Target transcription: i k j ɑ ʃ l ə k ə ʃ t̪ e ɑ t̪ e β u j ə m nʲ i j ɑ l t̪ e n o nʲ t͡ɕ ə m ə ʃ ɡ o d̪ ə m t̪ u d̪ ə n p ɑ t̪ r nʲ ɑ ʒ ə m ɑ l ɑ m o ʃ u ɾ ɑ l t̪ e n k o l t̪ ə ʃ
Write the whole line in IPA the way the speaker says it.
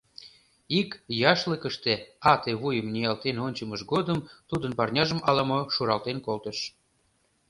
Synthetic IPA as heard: i k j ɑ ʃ l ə k ə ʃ t̪ e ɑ t̪ e β u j ə m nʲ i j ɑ l t̪ e n o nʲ t͡ɕ ə m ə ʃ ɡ o d̪ ə m t̪ u d̪ ə n p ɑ r nʲ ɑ ʒ ə m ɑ l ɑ m o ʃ u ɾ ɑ l t̪ e n k o l t̪ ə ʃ